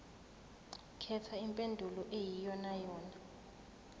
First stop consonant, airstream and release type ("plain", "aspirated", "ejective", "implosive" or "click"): aspirated